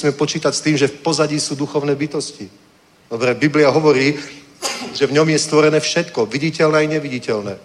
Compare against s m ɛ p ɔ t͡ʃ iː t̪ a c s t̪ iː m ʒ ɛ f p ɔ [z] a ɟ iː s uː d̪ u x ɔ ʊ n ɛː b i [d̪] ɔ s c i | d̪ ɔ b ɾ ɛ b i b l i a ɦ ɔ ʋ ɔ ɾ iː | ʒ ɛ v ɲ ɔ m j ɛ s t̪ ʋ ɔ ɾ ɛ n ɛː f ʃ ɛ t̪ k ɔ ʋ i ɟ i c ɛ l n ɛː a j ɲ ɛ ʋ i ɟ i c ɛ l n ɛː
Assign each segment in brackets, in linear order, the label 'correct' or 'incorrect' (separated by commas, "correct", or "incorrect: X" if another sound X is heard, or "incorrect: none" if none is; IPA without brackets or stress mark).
correct, incorrect: t̪